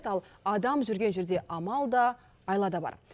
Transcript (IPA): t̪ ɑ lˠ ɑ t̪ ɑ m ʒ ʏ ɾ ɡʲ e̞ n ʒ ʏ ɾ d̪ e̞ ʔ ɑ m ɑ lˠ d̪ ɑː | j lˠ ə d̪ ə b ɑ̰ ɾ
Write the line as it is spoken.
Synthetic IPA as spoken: t̪ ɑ lˠ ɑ d̪ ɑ m ʒ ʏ ɾ ɡʲ e̞ n ʒ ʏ ɾ d̪ e̞ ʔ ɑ m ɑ lˠ d̪ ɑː | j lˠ ɑ d̪ ɑ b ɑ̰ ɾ